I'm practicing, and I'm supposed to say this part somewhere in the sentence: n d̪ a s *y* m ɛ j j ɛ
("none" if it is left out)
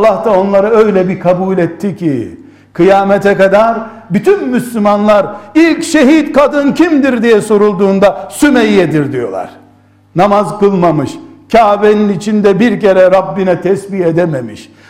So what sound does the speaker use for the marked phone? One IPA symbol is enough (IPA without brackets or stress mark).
y